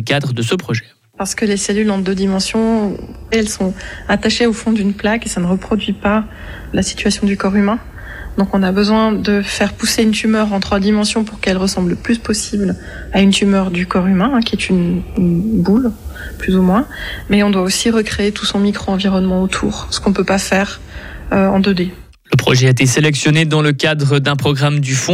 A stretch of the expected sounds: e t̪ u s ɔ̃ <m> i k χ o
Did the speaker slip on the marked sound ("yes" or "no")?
no